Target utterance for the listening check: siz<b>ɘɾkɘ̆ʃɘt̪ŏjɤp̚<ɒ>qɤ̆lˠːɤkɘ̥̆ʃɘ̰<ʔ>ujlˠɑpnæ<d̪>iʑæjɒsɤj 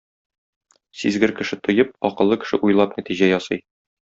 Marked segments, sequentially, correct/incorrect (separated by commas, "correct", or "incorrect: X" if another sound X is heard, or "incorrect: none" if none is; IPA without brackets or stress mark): incorrect: ɡ, correct, correct, incorrect: t̪